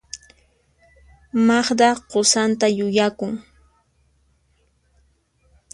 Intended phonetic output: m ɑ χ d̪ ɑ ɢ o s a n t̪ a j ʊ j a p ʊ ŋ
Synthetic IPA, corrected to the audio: m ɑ χ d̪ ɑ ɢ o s a n t̪ a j ʊ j a k ʊ ŋ